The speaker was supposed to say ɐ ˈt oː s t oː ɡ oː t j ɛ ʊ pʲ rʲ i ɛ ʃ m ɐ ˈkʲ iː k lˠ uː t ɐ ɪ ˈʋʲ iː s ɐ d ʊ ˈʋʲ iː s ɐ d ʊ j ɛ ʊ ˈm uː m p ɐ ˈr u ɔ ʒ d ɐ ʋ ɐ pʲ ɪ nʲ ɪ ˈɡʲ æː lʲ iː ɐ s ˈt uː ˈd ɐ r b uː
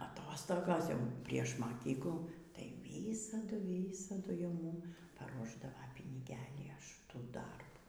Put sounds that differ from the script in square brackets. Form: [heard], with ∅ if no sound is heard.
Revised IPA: ɐ ˈt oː s t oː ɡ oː [s] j ɛ ʊ pʲ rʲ i ɛ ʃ m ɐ ˈkʲ iː k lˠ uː t ɐ ɪ ˈʋʲ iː s ɐ d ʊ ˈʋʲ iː s ɐ d ʊ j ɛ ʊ ˈm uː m p ɐ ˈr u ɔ ʒ d ɐ ʋ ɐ pʲ ɪ nʲ ɪ ˈɡʲ æː lʲ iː ɐ [ʃ] ˈt uː ˈd ɐ r b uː